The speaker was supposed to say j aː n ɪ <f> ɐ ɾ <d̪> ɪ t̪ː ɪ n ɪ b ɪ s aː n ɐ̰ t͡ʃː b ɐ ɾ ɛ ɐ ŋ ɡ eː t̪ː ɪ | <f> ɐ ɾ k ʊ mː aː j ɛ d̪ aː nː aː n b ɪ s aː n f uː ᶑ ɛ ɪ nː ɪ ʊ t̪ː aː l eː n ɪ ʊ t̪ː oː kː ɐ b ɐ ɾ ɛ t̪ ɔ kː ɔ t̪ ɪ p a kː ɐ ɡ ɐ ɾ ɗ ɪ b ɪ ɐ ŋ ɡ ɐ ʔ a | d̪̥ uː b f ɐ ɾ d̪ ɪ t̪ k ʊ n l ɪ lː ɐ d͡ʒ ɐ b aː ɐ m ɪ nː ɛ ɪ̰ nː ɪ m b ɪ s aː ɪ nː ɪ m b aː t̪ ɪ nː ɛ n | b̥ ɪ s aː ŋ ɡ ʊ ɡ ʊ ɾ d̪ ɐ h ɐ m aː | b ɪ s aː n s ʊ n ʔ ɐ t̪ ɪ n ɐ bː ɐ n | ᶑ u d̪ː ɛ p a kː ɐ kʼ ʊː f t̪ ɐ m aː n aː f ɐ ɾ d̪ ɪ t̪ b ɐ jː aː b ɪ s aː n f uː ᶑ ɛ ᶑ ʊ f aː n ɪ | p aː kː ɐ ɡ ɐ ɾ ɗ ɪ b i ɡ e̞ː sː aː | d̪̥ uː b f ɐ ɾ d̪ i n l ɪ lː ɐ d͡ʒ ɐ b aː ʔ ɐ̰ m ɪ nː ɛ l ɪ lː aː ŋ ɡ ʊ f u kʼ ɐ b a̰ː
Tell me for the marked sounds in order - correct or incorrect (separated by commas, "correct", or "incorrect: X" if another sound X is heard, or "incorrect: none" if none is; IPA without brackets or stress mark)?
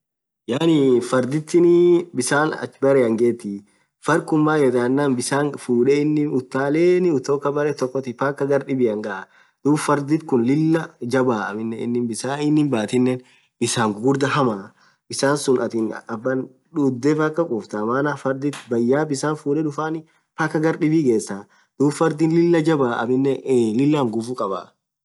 correct, correct, correct